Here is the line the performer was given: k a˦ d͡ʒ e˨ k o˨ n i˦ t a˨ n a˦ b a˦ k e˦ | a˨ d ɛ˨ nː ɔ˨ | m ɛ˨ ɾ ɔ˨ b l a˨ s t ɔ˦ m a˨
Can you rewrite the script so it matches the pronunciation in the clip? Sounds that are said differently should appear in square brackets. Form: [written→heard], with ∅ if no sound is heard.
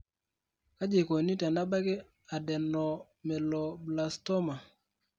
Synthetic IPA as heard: k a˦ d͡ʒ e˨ k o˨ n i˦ t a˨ n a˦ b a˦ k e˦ | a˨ d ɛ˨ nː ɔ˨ | m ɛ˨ [ɾ→l] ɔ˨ b l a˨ s t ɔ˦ m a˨